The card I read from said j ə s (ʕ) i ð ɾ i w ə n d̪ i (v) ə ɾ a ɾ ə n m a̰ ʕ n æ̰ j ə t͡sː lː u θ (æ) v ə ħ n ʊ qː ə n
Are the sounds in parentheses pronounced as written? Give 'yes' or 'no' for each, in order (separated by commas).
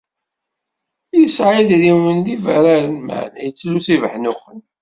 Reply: yes, yes, no